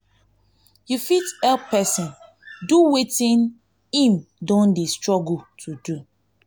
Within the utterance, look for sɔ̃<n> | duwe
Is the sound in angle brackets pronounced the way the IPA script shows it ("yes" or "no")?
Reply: yes